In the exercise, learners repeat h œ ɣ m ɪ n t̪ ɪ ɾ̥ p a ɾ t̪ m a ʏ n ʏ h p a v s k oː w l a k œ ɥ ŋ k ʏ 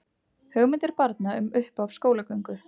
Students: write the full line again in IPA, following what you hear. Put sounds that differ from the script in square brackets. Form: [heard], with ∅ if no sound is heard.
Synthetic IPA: h œ ɣ m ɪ n t̪ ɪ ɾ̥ p a ɾ t̪ [n] a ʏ [m] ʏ h p a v s k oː w l a k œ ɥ ŋ k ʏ